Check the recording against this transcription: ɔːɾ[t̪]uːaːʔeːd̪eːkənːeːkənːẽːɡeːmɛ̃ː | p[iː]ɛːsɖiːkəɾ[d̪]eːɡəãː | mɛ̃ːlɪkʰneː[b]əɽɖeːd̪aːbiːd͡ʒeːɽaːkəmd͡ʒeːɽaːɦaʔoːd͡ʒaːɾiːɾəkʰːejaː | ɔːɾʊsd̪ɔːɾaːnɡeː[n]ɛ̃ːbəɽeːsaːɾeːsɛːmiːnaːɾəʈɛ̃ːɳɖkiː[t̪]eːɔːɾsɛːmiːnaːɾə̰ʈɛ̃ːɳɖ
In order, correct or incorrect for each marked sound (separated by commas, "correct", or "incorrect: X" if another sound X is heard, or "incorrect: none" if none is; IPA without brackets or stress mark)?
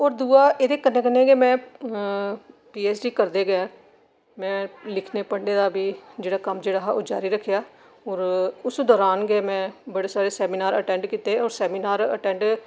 incorrect: d̪, correct, correct, incorrect: p, incorrect: m, correct